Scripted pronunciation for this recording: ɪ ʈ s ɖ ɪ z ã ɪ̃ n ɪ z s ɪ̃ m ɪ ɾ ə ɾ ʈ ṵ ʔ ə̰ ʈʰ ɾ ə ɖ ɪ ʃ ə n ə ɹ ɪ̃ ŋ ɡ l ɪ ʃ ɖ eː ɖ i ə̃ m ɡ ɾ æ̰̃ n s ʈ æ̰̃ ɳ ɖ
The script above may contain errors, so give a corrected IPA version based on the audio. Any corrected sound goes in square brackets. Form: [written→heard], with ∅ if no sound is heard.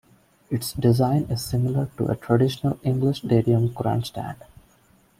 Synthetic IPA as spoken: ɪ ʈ s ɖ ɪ z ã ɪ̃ n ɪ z s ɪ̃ m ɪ [ɾ→l] ə ɾ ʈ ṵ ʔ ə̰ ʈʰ ɾ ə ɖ ɪ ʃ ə n ə [ɹ→l] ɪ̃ ŋ ɡ l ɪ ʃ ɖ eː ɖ i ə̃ m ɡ ɾ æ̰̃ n s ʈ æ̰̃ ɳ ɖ